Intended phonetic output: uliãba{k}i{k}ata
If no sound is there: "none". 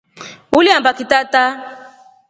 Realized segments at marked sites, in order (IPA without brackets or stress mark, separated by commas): k, t